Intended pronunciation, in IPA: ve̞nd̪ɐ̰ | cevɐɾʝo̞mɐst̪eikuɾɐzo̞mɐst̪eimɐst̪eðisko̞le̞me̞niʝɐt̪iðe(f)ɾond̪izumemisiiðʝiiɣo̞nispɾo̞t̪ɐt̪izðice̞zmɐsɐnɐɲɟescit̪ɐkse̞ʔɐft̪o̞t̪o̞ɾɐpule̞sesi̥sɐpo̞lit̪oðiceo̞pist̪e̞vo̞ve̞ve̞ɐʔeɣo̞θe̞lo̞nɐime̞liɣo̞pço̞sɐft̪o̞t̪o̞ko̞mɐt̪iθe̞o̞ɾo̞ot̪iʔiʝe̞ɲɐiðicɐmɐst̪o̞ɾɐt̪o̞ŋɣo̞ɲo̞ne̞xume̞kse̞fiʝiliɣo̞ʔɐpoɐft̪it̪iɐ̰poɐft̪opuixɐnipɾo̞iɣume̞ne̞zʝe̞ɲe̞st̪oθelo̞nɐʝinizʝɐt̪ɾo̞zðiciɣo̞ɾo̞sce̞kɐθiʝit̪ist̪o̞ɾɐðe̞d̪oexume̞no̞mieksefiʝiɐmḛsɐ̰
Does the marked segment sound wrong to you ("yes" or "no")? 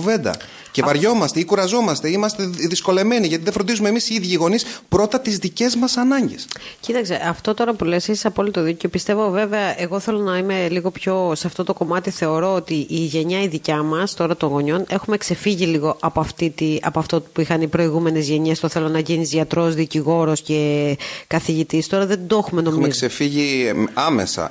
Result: no